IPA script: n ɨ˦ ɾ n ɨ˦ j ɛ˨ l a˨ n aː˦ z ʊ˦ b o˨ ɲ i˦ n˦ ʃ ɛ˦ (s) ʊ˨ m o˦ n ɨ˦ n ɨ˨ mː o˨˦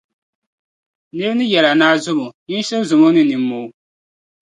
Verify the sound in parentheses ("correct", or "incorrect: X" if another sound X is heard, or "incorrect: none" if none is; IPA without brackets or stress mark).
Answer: incorrect: z